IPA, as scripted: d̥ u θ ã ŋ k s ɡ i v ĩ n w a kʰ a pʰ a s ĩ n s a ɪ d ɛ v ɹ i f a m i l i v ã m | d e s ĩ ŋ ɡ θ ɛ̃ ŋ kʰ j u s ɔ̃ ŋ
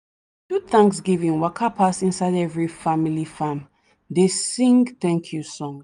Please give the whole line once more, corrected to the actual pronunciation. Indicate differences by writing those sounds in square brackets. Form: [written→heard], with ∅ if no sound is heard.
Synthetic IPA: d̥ u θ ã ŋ k s ɡ i v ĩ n w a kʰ a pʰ a s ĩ n s a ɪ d ɛ v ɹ i f a m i l i [v→f] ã m | d e s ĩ ŋ ɡ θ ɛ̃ ŋ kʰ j u s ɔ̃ ŋ